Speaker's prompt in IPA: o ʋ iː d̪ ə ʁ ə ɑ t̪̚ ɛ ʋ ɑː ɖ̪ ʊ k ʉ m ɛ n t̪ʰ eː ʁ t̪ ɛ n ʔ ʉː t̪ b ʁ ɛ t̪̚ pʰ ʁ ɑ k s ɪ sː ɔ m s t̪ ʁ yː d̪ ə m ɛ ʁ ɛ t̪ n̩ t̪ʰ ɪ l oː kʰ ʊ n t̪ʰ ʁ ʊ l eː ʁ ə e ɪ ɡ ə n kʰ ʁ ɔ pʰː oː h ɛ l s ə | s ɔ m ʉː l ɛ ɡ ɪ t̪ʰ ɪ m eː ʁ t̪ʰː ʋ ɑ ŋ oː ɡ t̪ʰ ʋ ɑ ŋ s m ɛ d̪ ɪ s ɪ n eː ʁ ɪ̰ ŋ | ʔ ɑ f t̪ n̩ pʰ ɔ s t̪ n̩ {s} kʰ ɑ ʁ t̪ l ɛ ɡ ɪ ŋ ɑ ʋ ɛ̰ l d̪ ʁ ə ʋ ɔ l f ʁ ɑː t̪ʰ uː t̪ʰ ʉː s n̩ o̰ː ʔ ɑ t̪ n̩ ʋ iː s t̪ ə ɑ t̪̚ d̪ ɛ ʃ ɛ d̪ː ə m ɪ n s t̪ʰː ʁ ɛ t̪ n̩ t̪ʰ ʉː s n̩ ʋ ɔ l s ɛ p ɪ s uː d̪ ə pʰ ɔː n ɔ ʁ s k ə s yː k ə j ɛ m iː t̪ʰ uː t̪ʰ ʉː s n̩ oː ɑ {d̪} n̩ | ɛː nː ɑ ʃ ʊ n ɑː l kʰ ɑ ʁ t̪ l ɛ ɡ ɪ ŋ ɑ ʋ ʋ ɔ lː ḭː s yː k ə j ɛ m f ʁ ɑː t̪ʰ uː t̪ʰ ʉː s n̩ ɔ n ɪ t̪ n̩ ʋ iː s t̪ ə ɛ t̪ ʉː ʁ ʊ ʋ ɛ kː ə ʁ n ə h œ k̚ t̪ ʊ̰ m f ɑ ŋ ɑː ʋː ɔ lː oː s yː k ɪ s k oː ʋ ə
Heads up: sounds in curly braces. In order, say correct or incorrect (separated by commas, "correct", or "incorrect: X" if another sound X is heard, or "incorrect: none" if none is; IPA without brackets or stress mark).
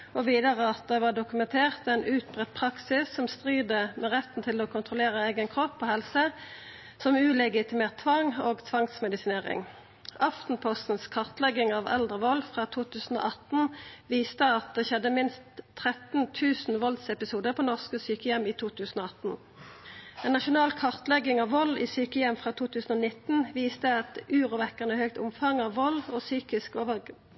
correct, incorrect: t̪